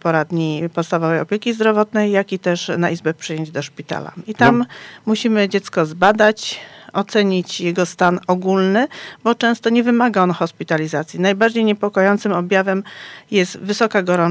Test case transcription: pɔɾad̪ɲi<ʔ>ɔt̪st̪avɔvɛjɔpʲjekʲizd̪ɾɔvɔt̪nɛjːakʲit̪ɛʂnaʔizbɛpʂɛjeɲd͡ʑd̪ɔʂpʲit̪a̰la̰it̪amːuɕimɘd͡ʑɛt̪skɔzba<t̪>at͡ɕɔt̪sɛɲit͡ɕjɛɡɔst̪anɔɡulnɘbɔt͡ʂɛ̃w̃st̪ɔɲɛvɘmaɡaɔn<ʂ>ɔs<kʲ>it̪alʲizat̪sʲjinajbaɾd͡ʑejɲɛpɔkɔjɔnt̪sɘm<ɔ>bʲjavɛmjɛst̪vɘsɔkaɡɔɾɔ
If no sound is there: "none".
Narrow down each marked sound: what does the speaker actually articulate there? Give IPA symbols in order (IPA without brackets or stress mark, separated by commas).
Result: p, d̪, x, pʲ, ɔ